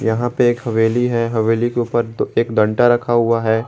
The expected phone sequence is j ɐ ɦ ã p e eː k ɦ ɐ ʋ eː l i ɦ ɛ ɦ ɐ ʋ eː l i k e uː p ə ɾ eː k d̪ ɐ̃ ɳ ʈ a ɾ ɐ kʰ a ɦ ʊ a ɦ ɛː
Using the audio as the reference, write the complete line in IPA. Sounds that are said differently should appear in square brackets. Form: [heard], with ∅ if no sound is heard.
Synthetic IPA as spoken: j ɐ ɦ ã p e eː k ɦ ɐ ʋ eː l i ɦ ɛ ɦ ɐ ʋ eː l i k e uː p ə ɾ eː k d̪ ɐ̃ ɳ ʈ a ɾ ɐ kʰ a ɦ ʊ a ɦ ɛː